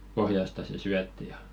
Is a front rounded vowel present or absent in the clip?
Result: present